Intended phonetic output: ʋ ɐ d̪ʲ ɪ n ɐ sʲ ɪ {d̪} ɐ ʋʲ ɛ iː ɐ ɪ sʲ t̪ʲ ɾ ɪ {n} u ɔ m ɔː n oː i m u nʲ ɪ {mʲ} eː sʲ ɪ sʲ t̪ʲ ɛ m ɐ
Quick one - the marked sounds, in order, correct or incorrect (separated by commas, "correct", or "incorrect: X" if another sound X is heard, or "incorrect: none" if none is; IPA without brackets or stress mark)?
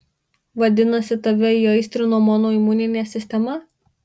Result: incorrect: t̪, correct, incorrect: nʲ